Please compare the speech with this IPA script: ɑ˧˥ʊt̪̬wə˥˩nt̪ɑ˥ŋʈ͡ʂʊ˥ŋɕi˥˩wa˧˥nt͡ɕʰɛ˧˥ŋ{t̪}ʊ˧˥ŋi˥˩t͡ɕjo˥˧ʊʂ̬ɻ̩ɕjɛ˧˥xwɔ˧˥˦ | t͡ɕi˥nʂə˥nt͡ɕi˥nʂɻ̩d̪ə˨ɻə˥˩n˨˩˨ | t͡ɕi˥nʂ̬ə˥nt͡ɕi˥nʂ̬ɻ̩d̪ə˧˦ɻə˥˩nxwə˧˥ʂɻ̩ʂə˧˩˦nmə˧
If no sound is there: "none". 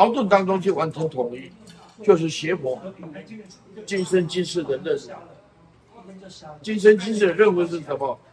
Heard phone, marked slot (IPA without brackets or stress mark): t̪ʰ